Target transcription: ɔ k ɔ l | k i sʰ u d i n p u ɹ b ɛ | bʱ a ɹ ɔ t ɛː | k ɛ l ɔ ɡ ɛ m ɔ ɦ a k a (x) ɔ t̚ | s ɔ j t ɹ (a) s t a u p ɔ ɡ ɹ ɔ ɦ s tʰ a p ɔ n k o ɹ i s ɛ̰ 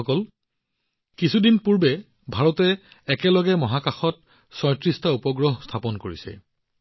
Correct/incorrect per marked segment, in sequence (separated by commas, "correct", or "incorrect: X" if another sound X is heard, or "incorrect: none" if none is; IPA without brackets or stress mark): correct, incorrect: i